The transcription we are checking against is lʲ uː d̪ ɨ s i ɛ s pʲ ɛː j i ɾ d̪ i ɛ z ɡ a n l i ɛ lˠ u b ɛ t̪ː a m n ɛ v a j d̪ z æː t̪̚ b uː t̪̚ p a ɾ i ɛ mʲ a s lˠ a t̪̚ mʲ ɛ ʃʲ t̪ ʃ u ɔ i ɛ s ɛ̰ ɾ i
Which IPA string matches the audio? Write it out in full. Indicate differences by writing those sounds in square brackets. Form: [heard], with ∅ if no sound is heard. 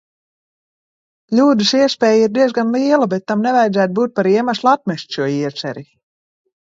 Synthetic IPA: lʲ uː d̪ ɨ s i ɛ s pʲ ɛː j i ɾ d̪ i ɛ z ɡ a n l i ɛ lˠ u b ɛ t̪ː a m n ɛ v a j d̪ z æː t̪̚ b uː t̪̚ p a ɾ i ɛ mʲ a s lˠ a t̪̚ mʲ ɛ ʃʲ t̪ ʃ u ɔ i ɛ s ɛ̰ ɾ i